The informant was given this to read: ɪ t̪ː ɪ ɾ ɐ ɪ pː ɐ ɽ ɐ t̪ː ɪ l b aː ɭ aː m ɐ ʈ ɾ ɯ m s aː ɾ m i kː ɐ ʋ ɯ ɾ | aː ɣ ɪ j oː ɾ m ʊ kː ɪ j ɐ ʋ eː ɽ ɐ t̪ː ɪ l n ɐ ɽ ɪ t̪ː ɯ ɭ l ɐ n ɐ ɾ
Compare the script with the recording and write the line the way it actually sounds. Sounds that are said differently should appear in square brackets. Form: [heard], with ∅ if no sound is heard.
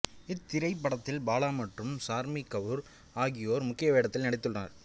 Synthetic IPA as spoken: ɪ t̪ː ɪ ɾ ɐ ɪ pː ɐ ɽ ɐ t̪ː ɪ l b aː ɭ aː m ɐ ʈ [r] ɯ m s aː ɾ m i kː ɐ ʋ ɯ ɾ | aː ɣ ɪ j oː ɾ m ʊ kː ɪ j ɐ ʋ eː ɽ ɐ t̪ː ɪ l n ɐ ɽ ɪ t̪ː ɯ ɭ [r] ɐ n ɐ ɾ